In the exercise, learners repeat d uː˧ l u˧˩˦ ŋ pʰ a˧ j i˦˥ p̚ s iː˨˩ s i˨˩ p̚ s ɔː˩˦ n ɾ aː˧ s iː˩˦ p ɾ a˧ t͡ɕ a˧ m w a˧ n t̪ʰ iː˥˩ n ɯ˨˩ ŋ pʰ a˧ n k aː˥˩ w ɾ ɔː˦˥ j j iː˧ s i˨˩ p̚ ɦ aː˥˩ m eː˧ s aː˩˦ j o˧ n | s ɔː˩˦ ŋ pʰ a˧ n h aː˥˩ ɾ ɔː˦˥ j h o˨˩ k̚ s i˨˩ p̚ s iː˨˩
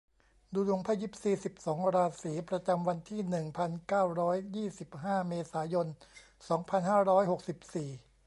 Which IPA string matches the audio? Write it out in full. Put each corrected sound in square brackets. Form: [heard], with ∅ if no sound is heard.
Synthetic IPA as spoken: d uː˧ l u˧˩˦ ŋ pʰ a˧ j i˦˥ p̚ s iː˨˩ s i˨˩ p̚ s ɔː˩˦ [ŋ] ɾ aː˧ s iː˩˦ p ɾ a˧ t͡ɕ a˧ m w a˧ n t̪ʰ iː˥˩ n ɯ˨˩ ŋ pʰ a˧ n k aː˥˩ w ɾ ɔː˦˥ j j [iː˥˩] s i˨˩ p̚ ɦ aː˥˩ m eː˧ s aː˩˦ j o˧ n | s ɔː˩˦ ŋ pʰ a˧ n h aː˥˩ ɾ ɔː˦˥ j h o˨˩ k̚ s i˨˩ p̚ s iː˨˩